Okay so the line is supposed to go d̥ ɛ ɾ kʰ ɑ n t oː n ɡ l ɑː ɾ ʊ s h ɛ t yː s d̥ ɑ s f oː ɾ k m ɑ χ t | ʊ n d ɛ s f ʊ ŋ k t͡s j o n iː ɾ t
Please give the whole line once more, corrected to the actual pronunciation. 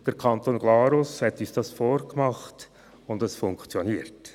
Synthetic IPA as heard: d̥ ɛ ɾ kʰ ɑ n t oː n ɡ l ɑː ɾ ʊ s h ɛ t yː s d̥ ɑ s f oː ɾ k m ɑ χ t | ʊ n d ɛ s f ʊ ŋ k t͡s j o n iː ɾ t